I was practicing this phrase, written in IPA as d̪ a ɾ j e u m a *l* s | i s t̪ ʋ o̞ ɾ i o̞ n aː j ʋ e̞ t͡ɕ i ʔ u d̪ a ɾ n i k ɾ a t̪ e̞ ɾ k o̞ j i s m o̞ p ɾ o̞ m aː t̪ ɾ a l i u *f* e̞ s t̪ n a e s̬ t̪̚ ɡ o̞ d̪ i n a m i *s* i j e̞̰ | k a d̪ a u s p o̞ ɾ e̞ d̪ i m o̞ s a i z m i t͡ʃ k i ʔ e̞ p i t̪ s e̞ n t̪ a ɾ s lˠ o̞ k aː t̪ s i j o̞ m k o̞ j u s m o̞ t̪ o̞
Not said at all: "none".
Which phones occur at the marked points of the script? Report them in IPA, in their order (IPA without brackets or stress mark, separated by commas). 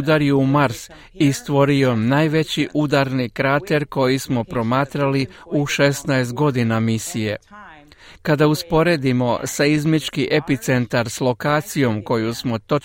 ɾ, ʃ, s